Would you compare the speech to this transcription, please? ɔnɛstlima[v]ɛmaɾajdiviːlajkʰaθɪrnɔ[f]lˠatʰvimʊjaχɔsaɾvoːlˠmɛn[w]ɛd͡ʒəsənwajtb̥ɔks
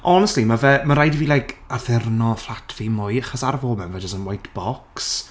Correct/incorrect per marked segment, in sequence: correct, correct, incorrect: v

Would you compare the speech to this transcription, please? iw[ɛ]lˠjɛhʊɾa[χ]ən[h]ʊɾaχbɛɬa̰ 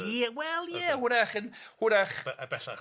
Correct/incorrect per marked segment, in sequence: correct, correct, correct

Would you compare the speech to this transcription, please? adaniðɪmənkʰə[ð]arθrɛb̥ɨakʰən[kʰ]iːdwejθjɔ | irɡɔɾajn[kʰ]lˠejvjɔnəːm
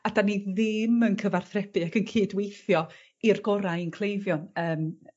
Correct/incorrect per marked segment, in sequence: incorrect: v, correct, correct

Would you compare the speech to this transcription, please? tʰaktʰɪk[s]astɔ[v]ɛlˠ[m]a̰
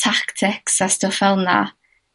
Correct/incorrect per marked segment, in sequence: correct, incorrect: f, incorrect: n

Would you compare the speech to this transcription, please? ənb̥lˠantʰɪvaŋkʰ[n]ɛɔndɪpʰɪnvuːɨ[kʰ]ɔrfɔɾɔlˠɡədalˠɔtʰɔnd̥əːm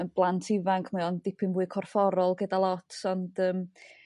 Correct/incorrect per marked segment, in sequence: incorrect: m, correct

